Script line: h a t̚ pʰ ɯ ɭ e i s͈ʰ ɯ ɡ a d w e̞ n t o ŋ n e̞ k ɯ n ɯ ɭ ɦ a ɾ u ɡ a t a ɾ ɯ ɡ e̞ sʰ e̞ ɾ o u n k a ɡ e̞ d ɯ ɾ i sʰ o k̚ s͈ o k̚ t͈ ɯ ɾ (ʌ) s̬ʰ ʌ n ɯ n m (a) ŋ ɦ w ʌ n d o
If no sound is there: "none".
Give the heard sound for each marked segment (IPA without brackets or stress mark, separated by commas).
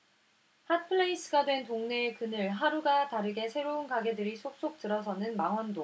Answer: ʌ, a